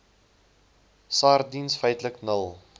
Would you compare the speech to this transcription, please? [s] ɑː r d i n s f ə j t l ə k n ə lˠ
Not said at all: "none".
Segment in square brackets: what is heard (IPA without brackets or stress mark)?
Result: s